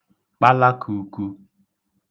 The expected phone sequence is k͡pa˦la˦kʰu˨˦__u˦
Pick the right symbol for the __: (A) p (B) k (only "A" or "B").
B